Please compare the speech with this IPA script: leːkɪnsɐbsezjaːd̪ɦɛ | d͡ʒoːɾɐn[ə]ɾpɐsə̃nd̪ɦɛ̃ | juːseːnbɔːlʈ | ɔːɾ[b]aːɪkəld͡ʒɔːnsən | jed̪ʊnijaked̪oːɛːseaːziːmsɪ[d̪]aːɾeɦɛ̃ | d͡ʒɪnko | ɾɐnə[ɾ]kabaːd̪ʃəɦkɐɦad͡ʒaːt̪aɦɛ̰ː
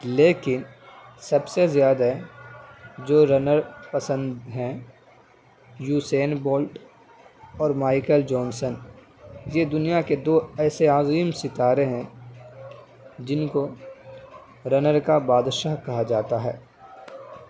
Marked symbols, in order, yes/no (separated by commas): yes, no, no, yes